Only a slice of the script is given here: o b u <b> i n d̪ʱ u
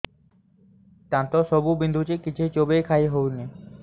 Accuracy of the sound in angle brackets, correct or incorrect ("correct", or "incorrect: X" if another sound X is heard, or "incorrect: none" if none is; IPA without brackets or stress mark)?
correct